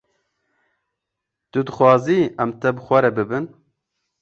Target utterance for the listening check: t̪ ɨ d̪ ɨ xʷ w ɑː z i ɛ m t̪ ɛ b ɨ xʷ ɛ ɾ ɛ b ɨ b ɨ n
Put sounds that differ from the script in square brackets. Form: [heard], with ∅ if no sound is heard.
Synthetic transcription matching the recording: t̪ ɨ d̪ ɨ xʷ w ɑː z i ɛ m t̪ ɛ b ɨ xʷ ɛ ɾ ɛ b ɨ b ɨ n